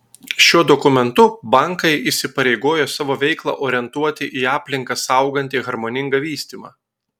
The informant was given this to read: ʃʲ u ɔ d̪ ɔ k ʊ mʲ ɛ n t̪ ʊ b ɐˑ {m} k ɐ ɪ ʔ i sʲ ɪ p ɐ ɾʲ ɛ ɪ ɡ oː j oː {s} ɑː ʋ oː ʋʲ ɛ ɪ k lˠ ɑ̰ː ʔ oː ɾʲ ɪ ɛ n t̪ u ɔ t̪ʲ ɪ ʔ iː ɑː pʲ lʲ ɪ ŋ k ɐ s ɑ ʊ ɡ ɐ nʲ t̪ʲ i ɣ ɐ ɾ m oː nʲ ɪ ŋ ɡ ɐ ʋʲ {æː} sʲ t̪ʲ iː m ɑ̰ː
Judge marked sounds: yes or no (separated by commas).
no, yes, no